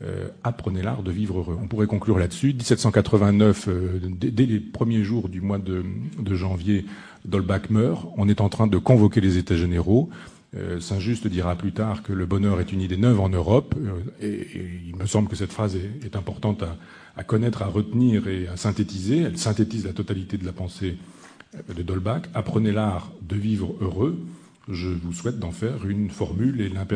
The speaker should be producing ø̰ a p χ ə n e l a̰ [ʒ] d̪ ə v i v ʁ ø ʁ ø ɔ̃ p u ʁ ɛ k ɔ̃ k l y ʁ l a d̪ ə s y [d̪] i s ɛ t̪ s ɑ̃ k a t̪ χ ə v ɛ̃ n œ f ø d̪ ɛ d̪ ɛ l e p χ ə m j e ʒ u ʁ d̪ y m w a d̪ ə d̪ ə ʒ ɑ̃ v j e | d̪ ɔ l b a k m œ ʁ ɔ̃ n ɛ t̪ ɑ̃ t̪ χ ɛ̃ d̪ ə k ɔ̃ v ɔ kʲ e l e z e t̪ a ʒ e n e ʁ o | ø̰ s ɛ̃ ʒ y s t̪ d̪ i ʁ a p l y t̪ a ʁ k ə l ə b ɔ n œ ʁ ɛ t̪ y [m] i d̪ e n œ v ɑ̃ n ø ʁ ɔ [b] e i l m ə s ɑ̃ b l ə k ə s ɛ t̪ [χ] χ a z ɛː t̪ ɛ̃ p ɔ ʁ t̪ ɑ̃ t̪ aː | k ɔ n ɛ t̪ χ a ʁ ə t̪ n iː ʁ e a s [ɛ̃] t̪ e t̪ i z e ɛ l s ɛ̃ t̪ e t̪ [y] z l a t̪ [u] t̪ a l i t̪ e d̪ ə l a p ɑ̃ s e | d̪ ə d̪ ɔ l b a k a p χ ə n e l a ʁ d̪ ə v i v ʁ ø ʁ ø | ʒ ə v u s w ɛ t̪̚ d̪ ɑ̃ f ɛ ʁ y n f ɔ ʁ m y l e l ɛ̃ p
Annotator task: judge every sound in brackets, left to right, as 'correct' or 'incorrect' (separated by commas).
incorrect, correct, incorrect, incorrect, incorrect, correct, incorrect, incorrect